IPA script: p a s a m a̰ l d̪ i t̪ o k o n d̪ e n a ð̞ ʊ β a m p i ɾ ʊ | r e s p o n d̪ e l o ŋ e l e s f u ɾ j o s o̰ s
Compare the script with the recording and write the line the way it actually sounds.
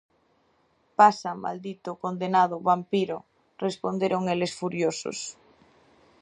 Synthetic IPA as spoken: p a s a m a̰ l d̪ i t̪ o k o n d̪ e n a ð̞ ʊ β a m p i ɾ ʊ | r e s p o n d̪ e ɾ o ŋ e l e s f u ɾ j o s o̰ s